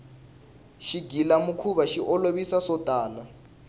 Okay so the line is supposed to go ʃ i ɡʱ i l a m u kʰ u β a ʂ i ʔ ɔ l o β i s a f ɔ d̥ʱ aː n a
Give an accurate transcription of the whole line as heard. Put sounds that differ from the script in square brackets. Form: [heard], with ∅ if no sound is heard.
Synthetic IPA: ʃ i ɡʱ i l a m u kʰ u β a [ʃ] i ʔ ɔ l o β i s a [s] ɔ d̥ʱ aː n a